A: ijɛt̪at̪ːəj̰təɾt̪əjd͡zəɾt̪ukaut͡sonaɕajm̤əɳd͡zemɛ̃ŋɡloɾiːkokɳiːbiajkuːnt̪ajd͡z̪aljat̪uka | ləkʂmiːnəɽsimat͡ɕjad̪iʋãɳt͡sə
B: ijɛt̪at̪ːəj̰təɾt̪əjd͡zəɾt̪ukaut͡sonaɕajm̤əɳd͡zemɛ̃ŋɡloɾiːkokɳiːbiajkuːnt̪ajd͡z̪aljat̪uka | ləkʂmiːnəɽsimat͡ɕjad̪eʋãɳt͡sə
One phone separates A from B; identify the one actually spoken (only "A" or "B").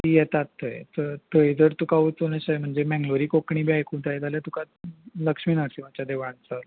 B